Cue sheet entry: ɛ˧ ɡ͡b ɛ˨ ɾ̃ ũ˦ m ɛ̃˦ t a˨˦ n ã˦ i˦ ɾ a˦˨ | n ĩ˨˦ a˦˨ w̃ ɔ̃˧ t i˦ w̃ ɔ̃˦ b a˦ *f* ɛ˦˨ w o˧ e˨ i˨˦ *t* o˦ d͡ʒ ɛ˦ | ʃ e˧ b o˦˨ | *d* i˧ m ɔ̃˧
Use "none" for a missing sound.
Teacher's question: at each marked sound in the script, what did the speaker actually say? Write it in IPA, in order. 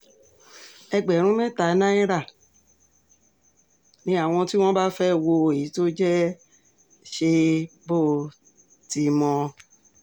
f, t, t

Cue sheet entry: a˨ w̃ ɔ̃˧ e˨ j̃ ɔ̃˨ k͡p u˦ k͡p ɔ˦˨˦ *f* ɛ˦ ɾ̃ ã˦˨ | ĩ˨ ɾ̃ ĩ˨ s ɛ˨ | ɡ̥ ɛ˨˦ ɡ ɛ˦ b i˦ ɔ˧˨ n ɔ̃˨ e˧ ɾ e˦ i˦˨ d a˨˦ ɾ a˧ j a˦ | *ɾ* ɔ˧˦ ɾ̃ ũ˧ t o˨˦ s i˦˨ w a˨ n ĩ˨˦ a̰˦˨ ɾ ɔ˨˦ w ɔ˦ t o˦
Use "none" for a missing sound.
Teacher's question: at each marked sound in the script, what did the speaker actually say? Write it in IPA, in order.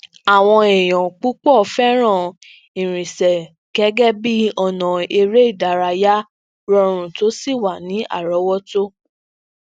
f, ɾ

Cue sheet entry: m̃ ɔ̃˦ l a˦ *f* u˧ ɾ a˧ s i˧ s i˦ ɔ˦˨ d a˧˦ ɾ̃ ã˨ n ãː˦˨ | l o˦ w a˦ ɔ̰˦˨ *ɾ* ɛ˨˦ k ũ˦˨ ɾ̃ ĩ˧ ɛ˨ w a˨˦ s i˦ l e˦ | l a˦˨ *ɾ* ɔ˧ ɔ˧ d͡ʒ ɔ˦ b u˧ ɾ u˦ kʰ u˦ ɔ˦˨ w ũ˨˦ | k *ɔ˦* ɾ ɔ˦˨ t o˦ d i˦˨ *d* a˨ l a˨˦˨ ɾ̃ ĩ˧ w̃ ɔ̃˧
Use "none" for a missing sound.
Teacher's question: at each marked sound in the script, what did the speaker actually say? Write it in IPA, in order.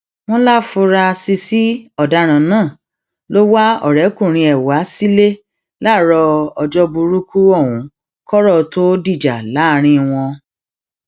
f, ɾ, ɾ, ɔ˦, d͡ʒ

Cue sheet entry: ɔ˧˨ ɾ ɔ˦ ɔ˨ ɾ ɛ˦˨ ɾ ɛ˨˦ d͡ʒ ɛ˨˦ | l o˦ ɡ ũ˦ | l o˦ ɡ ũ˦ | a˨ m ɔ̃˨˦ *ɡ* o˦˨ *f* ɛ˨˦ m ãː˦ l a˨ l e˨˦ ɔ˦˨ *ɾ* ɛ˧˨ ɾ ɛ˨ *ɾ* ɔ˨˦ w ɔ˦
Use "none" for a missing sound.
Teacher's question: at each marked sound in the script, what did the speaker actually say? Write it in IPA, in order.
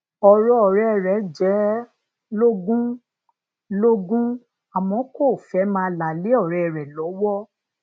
k, f, ɾ, l

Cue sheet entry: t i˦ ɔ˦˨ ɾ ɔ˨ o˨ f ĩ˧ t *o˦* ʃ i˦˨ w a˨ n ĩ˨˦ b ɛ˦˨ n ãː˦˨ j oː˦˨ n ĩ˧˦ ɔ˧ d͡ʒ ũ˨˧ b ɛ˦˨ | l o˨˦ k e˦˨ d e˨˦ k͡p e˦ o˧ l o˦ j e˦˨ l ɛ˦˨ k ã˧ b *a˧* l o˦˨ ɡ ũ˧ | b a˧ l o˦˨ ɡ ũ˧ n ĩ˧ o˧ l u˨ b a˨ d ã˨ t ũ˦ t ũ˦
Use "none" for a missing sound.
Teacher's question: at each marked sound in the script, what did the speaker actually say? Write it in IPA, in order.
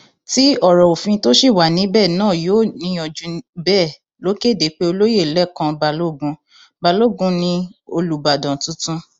o˦, a˧

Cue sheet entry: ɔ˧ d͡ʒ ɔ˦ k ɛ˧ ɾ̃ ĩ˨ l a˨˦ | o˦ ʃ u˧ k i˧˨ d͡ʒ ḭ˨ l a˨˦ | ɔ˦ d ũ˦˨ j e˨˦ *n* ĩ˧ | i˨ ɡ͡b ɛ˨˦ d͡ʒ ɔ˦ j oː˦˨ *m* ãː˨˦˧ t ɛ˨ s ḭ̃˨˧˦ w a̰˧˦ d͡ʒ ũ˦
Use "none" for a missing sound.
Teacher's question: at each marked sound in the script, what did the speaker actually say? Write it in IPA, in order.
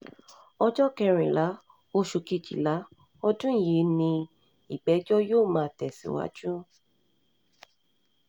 n, m

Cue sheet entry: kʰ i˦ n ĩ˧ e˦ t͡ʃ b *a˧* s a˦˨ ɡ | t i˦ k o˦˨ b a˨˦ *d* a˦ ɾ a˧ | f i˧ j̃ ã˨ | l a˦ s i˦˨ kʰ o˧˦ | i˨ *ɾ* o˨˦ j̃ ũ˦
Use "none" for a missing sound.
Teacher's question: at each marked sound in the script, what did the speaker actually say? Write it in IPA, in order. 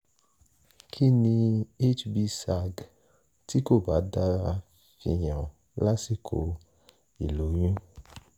i˧, d, l

